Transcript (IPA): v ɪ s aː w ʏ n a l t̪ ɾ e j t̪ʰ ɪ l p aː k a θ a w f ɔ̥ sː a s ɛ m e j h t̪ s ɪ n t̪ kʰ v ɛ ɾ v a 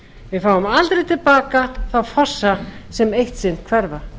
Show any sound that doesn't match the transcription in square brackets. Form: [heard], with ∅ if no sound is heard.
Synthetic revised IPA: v ɪ [f] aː w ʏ [m] a l t̪ ɾ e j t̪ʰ ɪ l p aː k a θ a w f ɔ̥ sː a s ɛ m e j h t̪ s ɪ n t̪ kʰ v ɛ ɾ v a